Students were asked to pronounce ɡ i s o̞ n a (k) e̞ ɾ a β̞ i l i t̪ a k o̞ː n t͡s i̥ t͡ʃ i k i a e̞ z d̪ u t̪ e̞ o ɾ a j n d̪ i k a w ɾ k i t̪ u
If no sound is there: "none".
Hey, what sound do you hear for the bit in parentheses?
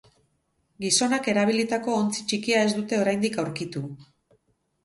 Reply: k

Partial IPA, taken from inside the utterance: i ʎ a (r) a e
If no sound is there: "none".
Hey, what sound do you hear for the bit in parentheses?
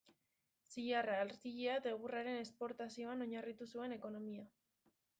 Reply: r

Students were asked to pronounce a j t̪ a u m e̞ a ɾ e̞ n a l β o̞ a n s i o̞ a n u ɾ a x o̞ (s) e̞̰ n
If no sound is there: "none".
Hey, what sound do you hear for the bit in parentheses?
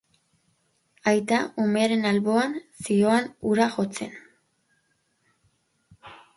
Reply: t͡s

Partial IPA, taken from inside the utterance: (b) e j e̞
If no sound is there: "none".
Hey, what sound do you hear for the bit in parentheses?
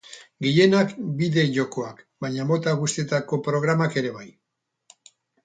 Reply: ɡ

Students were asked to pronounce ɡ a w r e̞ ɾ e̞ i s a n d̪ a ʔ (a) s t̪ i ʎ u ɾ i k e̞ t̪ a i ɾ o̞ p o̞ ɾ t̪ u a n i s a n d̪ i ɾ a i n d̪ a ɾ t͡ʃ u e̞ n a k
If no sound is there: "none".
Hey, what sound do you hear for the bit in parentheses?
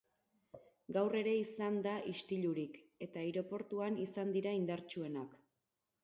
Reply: i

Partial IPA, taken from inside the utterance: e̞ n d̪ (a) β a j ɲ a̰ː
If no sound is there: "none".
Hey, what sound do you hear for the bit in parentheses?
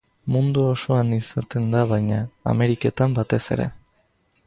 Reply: a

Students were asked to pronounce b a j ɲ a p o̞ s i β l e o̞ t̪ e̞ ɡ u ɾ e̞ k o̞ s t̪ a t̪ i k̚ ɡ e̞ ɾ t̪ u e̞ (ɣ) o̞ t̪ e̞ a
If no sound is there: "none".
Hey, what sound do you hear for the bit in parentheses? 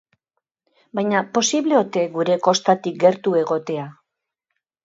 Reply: ɣ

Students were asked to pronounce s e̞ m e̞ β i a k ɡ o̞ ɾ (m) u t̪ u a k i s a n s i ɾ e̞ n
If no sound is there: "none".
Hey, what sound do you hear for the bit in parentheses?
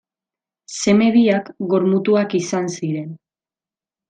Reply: m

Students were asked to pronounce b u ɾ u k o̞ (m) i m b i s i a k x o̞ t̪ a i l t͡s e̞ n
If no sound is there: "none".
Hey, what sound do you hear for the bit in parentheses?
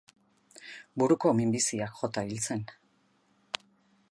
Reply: m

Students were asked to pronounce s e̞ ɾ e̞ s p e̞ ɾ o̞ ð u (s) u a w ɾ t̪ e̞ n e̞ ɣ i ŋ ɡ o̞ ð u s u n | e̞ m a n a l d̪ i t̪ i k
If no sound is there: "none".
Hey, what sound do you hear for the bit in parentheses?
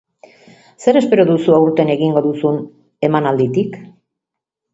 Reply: s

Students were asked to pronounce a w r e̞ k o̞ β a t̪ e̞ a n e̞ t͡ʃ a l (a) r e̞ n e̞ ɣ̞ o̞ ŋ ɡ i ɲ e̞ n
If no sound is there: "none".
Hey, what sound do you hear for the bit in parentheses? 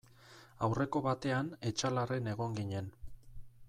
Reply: a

